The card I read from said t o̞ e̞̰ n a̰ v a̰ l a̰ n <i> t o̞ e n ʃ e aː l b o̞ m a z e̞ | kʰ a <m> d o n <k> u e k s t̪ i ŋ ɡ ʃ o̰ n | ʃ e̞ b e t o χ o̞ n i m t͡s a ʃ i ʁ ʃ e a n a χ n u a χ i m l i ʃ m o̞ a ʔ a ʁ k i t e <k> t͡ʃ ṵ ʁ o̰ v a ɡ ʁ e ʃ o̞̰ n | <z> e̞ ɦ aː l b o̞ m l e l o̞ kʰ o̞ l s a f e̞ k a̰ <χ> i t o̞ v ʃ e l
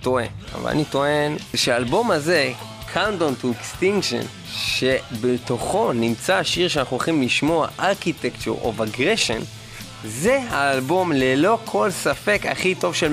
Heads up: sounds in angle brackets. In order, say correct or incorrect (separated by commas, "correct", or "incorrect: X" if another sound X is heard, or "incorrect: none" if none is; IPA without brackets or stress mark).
correct, incorrect: n, incorrect: t, correct, correct, correct